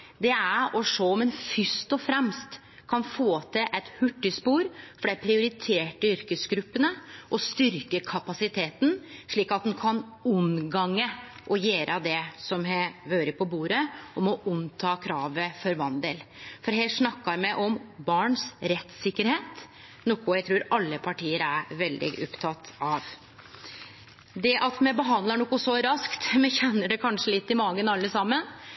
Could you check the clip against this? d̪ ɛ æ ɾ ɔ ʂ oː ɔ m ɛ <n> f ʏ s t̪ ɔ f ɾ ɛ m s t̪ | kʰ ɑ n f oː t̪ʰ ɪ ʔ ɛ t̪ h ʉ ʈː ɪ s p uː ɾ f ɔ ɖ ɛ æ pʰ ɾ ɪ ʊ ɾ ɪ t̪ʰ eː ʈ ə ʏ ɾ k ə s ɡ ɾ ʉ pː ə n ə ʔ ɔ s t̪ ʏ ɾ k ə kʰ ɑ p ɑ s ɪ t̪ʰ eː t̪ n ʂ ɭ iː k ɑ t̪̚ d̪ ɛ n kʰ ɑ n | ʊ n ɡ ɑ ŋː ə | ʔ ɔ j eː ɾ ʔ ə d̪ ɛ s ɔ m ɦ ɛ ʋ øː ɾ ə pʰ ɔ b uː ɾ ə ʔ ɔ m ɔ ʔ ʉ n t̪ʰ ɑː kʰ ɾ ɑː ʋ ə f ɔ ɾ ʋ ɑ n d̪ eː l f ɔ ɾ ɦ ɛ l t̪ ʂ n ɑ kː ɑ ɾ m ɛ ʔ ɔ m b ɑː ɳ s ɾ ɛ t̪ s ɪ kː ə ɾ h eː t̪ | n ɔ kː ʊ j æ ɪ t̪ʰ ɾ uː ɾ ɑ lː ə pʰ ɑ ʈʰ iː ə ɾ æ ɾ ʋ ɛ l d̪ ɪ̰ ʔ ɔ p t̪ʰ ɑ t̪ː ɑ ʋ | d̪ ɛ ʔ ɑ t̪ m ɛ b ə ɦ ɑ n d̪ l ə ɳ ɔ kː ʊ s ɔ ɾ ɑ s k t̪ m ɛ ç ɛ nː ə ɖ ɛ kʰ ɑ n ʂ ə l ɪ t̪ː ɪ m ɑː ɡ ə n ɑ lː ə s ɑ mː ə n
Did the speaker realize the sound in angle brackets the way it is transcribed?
yes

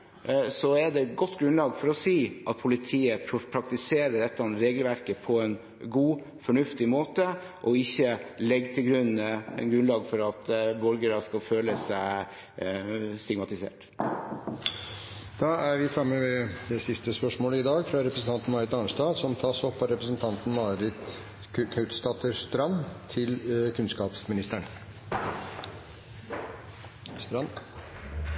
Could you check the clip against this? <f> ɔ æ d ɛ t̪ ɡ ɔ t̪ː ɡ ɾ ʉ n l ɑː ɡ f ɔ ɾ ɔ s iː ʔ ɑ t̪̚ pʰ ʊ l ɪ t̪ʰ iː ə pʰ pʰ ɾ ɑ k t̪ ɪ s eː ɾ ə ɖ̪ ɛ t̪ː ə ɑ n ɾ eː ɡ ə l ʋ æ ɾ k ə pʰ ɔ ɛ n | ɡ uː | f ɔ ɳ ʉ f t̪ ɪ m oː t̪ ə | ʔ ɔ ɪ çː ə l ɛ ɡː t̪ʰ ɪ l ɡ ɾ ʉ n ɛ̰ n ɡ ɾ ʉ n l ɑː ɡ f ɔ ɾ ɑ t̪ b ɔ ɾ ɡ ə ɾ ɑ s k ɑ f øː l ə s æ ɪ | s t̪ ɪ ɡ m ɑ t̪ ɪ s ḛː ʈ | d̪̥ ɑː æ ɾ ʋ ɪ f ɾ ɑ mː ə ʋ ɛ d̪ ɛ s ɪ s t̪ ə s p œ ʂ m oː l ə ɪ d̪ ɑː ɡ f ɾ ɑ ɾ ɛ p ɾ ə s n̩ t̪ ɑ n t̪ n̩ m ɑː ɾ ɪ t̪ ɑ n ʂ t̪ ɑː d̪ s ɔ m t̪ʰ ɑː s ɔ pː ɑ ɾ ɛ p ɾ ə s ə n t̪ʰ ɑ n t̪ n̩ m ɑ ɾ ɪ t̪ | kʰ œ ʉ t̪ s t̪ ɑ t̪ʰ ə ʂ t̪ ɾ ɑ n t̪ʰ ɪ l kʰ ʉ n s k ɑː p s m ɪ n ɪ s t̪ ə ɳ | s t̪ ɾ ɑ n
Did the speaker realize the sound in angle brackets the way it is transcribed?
no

